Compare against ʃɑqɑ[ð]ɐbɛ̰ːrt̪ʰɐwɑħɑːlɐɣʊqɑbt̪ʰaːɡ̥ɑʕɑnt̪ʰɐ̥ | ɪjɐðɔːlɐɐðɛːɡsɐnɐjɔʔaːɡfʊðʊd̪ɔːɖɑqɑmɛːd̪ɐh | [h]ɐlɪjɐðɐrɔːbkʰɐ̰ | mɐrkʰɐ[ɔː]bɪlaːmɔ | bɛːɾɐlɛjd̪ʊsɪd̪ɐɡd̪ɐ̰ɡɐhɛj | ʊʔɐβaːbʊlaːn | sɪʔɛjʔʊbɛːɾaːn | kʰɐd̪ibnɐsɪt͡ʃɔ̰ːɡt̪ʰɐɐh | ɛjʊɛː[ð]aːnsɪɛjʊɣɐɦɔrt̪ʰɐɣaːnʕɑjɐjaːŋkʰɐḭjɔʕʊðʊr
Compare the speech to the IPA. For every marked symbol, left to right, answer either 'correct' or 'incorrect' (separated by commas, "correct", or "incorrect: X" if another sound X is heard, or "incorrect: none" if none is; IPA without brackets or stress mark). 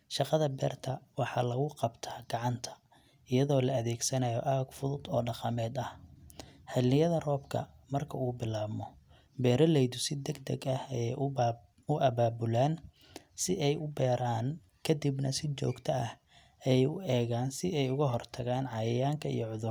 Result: correct, correct, incorrect: uː, incorrect: ɣ